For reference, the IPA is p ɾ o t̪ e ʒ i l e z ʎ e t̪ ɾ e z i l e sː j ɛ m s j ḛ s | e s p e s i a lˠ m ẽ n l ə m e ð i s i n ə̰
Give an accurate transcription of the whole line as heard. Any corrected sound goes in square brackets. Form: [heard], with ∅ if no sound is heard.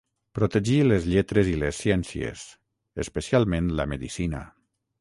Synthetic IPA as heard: p ɾ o t̪ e ʒ i l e z ʎ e t̪ ɾ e z i l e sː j ɛ [n] s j ḛ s | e s p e s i a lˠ m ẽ n l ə m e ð i s i n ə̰